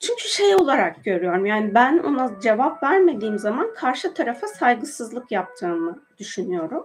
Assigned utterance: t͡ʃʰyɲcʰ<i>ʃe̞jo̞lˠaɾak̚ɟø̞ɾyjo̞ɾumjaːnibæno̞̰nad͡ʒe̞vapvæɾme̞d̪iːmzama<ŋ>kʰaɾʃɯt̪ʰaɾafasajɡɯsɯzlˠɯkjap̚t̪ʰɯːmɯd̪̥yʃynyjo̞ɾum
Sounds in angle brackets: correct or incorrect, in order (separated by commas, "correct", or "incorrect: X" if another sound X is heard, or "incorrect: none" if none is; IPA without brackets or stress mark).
incorrect: y, incorrect: n